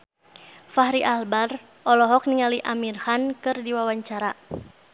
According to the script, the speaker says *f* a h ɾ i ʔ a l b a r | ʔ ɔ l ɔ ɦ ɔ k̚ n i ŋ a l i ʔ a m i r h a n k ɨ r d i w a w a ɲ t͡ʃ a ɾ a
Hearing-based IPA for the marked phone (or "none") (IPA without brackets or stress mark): f